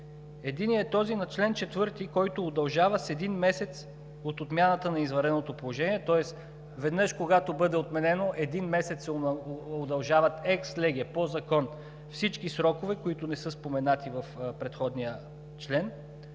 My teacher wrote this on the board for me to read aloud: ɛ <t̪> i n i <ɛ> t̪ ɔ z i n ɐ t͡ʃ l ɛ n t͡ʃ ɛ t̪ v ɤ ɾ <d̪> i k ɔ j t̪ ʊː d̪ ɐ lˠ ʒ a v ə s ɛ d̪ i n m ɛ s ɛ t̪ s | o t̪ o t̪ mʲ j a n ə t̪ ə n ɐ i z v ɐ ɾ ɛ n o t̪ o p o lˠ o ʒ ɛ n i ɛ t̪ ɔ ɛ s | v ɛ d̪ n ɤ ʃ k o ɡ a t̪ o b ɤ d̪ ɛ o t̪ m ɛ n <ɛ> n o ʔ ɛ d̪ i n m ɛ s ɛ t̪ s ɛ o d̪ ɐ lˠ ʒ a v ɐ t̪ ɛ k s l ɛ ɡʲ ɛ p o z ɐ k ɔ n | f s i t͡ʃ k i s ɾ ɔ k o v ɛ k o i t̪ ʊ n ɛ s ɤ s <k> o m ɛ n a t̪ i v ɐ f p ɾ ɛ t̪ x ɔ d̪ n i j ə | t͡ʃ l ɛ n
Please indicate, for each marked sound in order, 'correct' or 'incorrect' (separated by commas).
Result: incorrect, correct, incorrect, correct, incorrect